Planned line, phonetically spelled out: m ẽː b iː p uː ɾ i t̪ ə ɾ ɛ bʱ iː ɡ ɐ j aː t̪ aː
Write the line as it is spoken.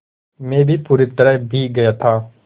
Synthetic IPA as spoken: m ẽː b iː p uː ɾ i t̪ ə ɾ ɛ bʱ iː ɡ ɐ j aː t̪ʰ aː